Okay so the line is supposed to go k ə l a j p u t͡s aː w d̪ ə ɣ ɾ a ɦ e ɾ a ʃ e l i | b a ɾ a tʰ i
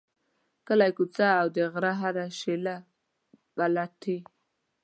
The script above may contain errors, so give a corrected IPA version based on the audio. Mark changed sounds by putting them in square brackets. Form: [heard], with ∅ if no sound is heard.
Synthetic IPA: k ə l a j [k] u t͡s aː w d̪ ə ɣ ɾ a ɦ [a] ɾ a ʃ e l [a] | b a [l] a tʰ i